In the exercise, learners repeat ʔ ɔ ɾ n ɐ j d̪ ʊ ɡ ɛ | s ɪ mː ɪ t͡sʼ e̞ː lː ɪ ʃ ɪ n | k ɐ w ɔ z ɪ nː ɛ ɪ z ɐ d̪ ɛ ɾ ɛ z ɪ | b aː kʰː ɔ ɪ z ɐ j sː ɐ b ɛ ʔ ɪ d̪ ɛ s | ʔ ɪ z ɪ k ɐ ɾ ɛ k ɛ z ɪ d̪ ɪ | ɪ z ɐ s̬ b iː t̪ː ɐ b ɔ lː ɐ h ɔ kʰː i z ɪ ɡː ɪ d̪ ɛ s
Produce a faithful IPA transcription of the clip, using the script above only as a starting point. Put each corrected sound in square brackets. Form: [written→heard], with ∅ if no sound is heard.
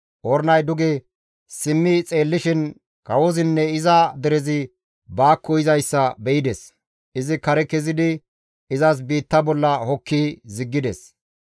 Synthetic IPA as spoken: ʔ ɔ ɾ n ɐ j d̪ ʊ ɡ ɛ | s ɪ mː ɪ t͡sʼ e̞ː lː ɪ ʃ ɪ n | k ɐ w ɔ z ɪ nː ɛ ɪ z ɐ d̪ ɛ ɾ ɛ z ɪ | b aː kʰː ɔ ɪ z ɐ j sː ɐ b ɛ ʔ ɪ d̪ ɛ s | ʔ ɪ z ɪ k ɐ ɾ ɛ k ɛ z ɪ d̪ ɪ | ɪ z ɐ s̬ b iː t̪ː ɐ b ɔ lː ɐ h ɔ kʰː i z ɪ ɡː ɪ d̪ ɛ s

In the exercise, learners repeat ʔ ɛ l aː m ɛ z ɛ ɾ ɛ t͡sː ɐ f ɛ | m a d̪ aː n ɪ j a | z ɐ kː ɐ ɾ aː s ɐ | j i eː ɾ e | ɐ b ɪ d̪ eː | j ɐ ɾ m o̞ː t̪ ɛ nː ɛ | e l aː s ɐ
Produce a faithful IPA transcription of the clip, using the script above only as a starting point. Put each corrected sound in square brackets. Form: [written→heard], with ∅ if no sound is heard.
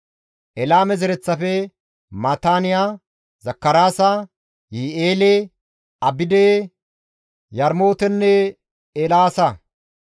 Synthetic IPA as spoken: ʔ ɛ l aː m ɛ z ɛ ɾ ɛ t͡sː ɐ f ɛ | m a [d̪→t̪] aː n ɪ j a | z ɐ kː ɐ ɾ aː s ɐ | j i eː [ɾ→l] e | ɐ b ɪ d̪ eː | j ɐ ɾ m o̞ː t̪ ɛ nː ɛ | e l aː s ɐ

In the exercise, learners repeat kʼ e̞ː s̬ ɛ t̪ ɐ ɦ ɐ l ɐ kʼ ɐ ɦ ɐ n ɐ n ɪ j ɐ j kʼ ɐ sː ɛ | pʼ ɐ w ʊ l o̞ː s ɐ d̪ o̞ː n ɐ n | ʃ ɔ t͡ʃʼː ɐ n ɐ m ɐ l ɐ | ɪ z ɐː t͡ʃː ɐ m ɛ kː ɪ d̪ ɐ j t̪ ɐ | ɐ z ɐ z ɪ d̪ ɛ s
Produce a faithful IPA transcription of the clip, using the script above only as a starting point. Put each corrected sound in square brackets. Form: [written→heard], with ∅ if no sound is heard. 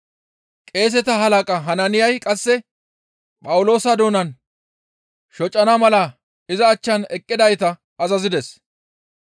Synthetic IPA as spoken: kʼ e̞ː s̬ ɛ t̪ ɐ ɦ ɐ l ɐ kʼ ɐ ɦ ɐ n ɐ n ɪ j ɐ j kʼ ɐ sː ɛ | pʼ ɐ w ʊ l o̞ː s ɐ d̪ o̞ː n ɐ n | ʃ ɔ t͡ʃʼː ɐ n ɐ m ɐ l ɐ | ɪ z ɐː t͡ʃː ɐ [m→n] ɛ [kː→kʼː] ɪ d̪ ɐ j t̪ ɐ | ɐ z ɐ z ɪ d̪ ɛ s

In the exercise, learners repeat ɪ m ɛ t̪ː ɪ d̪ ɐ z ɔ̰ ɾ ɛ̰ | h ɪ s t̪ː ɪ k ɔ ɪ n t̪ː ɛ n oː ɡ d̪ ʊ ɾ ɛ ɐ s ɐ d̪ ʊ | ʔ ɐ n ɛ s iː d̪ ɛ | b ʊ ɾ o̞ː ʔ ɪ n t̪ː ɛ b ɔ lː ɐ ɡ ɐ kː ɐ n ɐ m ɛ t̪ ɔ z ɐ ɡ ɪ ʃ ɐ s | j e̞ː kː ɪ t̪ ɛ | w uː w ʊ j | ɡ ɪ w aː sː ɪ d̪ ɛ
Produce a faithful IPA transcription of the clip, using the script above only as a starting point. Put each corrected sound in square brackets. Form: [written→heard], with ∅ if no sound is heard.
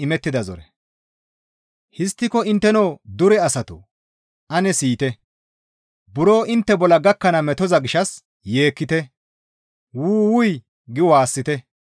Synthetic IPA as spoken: ɪ m ɛ t̪ː ɪ d̪ ɐ z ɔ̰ ɾ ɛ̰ | h ɪ s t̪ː ɪ k ɔ ɪ n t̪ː ɛ n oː [ɡ→∅] d̪ ʊ ɾ ɛ ɐ s ɐ [d̪→t̪] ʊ | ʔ ɐ n ɛ s iː [d̪→t̪] ɛ | b ʊ ɾ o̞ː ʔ ɪ n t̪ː ɛ b ɔ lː ɐ ɡ ɐ kː ɐ n ɐ m ɛ t̪ ɔ z ɐ ɡ ɪ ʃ ɐ s | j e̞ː kː ɪ t̪ ɛ | w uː w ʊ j | ɡ ɪ w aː sː ɪ [d̪→t̪] ɛ

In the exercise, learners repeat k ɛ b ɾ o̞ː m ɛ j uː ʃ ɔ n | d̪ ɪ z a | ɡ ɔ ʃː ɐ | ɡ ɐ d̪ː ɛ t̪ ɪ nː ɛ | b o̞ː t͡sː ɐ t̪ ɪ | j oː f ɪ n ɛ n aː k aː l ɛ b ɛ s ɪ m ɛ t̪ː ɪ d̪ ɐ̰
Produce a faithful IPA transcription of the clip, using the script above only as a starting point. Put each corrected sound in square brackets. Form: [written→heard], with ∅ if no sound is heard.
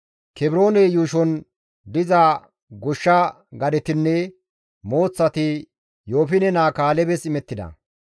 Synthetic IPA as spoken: k ɛ b ɾ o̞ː [m→n] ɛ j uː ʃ ɔ n | d̪ ɪ z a | ɡ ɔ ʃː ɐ | ɡ ɐ [d̪ː→d̪] ɛ t̪ ɪ nː ɛ | [b→m] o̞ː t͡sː ɐ t̪ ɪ | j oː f ɪ n ɛ n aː k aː l ɛ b ɛ s ɪ m ɛ t̪ː ɪ d̪ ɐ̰

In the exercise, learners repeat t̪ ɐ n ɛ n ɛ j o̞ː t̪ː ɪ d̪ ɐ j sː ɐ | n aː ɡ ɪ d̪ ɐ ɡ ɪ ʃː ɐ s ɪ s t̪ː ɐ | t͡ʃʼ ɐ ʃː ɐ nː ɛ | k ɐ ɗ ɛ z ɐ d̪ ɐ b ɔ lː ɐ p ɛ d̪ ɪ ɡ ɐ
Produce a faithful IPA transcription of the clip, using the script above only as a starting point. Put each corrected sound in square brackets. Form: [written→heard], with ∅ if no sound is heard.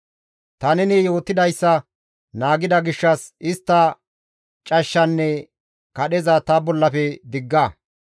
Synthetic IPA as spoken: t̪ ɐ n ɛ n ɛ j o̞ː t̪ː ɪ d̪ ɐ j sː ɐ | n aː ɡ ɪ d̪ ɐ ɡ ɪ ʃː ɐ s ɪ s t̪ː ɐ | t͡ʃʼ ɐ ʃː ɐ nː ɛ | k ɐ ɗ ɛ z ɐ [d̪→t̪] ɐ b ɔ lː ɐ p ɛ d̪ ɪ [ɡ→ɡː] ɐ

